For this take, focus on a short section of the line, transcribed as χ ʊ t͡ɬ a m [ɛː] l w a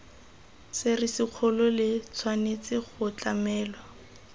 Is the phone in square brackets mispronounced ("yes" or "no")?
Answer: no